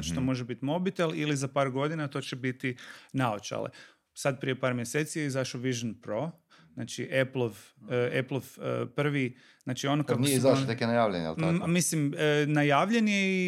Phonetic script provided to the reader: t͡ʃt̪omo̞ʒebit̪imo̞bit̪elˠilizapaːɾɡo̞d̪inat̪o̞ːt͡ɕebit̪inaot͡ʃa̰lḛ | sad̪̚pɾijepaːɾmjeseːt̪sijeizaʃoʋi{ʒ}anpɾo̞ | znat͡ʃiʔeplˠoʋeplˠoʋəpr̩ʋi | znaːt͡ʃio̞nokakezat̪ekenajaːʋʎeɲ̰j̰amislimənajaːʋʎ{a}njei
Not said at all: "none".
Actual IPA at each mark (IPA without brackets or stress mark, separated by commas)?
ʒ, e